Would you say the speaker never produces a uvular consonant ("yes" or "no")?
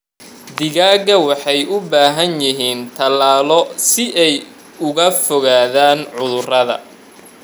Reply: yes